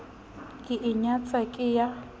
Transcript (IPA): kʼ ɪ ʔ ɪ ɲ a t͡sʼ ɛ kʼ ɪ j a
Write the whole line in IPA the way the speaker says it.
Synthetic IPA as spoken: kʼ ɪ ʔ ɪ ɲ a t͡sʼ a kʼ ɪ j a